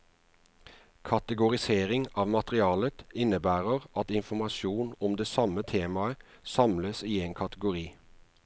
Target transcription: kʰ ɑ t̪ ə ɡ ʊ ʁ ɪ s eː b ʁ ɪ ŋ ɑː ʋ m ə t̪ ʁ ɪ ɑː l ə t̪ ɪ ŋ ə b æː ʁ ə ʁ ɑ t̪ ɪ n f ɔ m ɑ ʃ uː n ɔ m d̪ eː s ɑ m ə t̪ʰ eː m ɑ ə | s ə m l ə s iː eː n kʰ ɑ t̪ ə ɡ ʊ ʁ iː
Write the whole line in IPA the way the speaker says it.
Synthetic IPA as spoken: kʰ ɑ t̪ ə ɡ ʊ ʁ ɪ s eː ʁ ɪ ŋ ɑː ʋ m ɑ t̪ ʁ ɪ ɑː l ə t̪ ɪ n ə b æː ʁ ə ʁ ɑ t̪ ɪ n f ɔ m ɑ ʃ uː n ɔ m d̪ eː s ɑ m ə t̪ʰ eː m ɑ ə | s ɑ m l ə s iː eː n kʰ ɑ t̪ ə ɡ ʊ ʁ iː

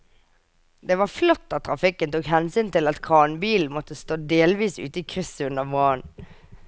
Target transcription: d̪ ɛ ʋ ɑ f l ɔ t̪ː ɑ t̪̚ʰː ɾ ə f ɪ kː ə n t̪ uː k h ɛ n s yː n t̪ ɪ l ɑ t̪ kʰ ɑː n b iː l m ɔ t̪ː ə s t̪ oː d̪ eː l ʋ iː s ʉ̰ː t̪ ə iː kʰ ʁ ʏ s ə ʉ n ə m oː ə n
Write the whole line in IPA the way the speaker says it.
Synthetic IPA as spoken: d̪ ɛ ʋ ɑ f l ɔ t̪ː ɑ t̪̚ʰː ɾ ɑ f ɪ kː ə n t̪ uː k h ɛ n s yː n t̪ ɪ l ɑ t̪ kʰ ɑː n b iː l m ɔ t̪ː ə s t̪ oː d̪ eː l ʋ iː s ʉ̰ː t̪ ə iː kʰ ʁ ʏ s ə ʉ n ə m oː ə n

